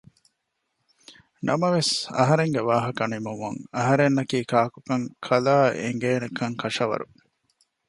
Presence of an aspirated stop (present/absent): present